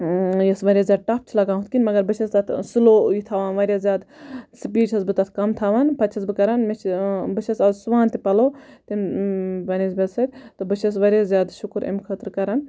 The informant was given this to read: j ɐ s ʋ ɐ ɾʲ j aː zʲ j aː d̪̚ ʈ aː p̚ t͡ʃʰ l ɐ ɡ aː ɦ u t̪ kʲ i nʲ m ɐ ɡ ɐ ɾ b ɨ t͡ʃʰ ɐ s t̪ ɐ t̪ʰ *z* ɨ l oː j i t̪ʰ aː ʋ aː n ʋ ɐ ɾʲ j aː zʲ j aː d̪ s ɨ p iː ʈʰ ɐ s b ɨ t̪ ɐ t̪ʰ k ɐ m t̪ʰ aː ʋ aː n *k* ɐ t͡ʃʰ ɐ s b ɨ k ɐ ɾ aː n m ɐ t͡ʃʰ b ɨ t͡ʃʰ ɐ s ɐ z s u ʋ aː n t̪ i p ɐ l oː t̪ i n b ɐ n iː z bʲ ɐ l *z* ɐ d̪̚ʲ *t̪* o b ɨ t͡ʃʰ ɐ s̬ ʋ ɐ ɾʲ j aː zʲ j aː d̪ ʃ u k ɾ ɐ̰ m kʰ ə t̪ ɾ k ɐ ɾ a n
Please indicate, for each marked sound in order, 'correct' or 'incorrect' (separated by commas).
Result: incorrect, incorrect, incorrect, correct